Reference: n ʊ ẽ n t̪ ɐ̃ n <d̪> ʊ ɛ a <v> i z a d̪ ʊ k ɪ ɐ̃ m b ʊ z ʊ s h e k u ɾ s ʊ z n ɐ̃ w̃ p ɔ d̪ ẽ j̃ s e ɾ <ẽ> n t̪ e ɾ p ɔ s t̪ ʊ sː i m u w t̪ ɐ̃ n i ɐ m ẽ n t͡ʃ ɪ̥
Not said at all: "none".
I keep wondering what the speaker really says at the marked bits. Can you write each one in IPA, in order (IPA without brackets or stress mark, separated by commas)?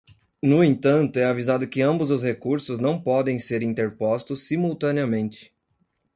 t̪, v, ĩ